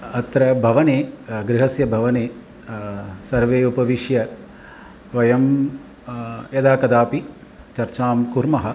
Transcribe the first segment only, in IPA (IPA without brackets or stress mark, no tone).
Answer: ɐ